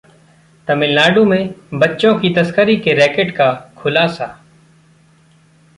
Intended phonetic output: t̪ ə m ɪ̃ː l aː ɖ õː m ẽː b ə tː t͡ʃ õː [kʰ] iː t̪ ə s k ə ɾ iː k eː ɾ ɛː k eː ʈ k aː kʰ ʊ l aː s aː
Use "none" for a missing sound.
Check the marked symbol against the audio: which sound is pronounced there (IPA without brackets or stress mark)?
k